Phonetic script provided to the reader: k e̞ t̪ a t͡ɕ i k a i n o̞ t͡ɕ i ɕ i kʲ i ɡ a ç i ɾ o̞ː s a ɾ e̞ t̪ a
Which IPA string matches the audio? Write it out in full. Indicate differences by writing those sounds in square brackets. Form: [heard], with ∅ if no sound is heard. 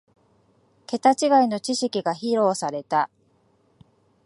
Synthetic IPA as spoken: k e̞ t̪ a t͡ɕ i [ɡ] a i n o̞ t͡ɕ i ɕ i kʲ i ɡ a ç i ɾ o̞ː s a ɾ e̞ t̪ a